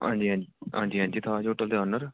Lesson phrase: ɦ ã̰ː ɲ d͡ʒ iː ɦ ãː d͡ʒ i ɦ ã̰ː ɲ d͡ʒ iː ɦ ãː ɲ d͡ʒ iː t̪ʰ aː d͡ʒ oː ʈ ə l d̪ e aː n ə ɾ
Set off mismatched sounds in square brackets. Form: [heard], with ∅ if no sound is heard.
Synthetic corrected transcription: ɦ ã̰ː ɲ d͡ʒ iː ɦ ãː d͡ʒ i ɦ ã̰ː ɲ d͡ʒ iː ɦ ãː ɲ d͡ʒ iː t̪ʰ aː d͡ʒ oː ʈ ə l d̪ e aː n ə ɾ